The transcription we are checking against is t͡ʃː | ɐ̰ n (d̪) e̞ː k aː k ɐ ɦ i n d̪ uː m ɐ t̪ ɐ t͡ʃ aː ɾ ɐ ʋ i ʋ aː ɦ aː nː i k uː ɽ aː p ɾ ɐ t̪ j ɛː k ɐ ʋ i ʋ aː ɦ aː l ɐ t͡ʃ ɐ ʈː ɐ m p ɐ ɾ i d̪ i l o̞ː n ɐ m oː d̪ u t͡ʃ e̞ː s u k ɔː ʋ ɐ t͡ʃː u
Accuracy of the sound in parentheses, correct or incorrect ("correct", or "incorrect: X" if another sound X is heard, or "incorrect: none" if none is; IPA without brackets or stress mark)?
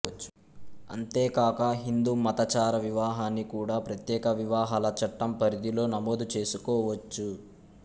incorrect: t̪